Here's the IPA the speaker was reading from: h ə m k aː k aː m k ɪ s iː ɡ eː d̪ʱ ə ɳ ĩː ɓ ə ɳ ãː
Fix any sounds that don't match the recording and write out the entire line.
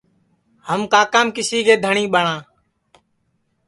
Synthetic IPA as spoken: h ə m k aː k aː m k ɪ s iː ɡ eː d̪ʱ ə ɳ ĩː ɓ ə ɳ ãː

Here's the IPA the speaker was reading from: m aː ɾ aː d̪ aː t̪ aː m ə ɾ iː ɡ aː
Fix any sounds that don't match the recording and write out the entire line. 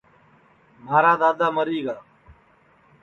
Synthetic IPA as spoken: m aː ɾ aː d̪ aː d̪ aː m ə ɾ iː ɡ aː

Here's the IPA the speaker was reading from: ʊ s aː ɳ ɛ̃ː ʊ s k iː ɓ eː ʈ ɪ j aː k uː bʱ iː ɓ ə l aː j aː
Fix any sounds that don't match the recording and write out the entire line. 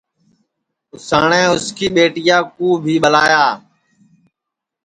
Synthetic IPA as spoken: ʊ s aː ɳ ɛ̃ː ʊ s k iː ɓ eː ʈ ɪ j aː k uː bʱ iː ɓ ə l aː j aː

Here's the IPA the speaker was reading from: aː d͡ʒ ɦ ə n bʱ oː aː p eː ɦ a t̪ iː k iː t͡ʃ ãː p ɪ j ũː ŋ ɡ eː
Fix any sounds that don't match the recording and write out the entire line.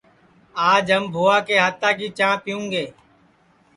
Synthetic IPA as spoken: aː d͡ʒ ɦ ə m bʱ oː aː k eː ɦ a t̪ aː k iː t͡ʃ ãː p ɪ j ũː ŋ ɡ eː

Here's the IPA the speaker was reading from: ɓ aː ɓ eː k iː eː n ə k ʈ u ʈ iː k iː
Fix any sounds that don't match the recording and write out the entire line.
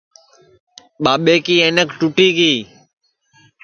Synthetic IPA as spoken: ɓ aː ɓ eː k iː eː n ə k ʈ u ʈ iː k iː

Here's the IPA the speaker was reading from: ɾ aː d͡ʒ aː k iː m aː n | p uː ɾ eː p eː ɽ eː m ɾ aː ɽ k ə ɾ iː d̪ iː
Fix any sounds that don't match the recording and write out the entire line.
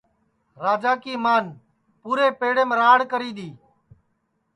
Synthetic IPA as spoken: ɾ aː d͡ʒ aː k iː m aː n | p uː ɾ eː p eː ɽ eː m ɾ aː ɽ k ə ɾ iː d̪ iː

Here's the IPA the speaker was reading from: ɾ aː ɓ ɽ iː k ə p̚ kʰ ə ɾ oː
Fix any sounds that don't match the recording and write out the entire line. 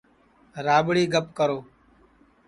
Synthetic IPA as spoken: ɾ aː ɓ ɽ iː ɡ ə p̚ k ə ɾ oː

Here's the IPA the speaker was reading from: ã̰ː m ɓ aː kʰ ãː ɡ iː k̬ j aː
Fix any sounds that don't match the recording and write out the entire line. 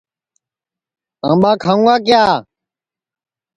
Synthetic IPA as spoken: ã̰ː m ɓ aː kʰ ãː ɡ aː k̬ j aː

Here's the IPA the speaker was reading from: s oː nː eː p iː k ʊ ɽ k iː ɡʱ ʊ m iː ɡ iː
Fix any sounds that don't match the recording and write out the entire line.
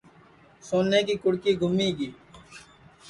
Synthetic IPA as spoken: s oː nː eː k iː k ʊ ɽ k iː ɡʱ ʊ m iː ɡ iː

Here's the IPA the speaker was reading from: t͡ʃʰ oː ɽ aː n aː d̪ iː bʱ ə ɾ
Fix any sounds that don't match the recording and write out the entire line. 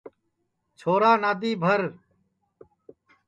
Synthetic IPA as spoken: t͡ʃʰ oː ɾ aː n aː d̪ iː bʱ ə ɾ

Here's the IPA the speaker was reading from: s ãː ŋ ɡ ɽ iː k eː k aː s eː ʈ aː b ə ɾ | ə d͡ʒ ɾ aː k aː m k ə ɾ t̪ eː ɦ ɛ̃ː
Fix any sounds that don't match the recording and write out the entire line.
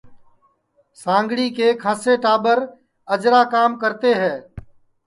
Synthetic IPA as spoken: s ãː ŋ ɡ ɽ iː k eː kʰ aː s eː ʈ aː b ə ɾ | ə d͡ʒ ɾ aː k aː m k ə ɾ t̪ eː ɦ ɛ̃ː

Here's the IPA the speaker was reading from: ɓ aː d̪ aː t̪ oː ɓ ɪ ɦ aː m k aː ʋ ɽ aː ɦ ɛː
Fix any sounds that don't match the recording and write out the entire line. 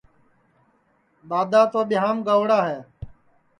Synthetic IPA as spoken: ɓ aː d̪ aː t̪ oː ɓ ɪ ɦ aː m ɡ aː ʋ ɽ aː ɦ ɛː

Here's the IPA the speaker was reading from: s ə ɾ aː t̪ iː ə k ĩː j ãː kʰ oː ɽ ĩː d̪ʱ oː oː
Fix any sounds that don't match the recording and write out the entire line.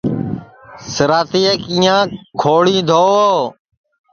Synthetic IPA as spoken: s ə ɾ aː t̪ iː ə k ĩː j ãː kʰ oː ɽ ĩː d̪ʱ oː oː

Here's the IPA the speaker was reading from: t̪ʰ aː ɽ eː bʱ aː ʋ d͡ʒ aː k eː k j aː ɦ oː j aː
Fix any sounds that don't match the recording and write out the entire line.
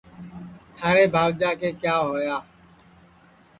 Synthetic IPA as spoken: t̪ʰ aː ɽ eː bʱ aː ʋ d͡ʒ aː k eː k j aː ɦ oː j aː

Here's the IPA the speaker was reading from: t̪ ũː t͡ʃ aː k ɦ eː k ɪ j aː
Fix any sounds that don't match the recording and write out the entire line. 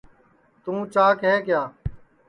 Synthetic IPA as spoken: t̪ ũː t͡ʃ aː k ɦ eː k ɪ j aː

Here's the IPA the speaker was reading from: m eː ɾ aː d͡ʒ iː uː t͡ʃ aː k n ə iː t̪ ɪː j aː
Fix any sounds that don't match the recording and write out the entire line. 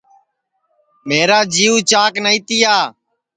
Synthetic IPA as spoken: m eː ɾ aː d͡ʒ iː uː t͡ʃ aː k n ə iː t̪ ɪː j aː

